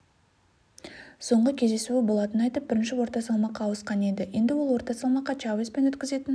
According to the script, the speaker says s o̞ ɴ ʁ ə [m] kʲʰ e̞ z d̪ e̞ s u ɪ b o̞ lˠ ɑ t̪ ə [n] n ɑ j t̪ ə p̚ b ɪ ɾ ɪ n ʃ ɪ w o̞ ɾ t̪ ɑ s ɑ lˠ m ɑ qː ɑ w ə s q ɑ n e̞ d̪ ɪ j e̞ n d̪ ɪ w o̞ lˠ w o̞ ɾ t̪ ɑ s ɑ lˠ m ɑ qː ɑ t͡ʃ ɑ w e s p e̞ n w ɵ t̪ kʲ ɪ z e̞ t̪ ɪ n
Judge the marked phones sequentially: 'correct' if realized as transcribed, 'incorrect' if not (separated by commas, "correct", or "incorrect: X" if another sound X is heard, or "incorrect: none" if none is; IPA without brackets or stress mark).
incorrect: none, correct